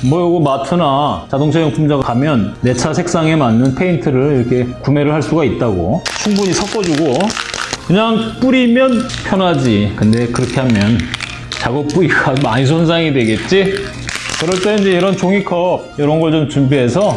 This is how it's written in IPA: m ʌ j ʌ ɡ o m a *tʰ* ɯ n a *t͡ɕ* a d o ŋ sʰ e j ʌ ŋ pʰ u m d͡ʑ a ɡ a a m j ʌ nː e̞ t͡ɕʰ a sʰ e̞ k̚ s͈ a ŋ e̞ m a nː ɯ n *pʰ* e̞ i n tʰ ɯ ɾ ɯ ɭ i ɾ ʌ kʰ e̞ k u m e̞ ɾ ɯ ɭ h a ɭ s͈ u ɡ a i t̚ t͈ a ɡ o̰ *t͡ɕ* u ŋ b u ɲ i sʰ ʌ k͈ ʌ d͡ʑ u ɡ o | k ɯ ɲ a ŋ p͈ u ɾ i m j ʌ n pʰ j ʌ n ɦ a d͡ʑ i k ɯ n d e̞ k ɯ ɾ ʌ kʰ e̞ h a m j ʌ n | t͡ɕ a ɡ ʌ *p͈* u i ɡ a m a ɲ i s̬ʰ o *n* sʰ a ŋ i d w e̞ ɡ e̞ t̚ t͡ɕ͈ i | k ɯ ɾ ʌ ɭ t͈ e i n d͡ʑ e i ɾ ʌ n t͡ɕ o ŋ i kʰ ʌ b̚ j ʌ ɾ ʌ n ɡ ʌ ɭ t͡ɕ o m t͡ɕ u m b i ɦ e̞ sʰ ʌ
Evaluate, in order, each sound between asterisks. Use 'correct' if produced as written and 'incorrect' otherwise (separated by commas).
correct, correct, correct, incorrect, correct, correct